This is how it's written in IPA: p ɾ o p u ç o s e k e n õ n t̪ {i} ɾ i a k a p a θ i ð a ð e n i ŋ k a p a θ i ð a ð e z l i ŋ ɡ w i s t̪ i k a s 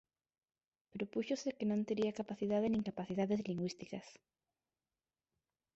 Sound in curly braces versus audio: incorrect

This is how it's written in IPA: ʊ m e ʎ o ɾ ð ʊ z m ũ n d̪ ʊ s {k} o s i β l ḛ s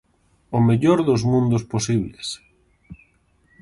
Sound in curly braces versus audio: incorrect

